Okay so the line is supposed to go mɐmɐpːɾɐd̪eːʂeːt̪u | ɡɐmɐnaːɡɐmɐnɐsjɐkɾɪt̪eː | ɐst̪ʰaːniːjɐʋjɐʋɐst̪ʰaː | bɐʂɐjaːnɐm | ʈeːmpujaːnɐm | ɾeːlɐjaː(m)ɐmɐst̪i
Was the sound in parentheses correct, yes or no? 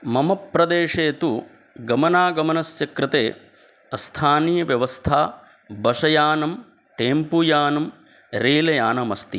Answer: no